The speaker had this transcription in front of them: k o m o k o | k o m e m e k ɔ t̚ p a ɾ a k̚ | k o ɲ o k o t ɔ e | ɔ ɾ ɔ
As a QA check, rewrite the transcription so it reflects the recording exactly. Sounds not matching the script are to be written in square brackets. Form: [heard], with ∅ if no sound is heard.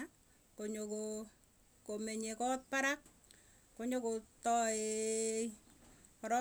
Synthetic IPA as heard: k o [ɲ] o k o | k o m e [ɲ] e k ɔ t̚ p a ɾ a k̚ | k o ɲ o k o t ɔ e | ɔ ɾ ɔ